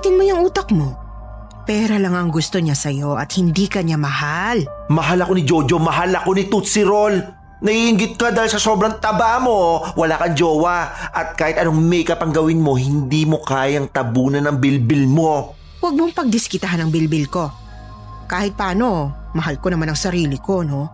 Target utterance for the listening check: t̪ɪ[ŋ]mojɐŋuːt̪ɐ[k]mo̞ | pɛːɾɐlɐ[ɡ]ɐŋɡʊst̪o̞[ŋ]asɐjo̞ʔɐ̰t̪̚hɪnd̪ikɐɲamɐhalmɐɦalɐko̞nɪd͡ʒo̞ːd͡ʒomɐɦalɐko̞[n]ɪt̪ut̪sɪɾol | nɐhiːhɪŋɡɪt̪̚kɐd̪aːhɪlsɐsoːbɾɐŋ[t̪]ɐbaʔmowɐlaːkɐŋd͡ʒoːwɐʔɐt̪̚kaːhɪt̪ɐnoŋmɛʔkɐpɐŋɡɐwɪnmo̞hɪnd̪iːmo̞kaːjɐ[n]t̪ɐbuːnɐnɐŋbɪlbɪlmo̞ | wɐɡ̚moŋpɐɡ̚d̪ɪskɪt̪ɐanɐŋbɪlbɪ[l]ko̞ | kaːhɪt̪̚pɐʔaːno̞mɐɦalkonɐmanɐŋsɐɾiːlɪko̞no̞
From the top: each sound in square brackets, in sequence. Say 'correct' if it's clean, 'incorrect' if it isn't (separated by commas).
incorrect, correct, incorrect, incorrect, correct, correct, incorrect, correct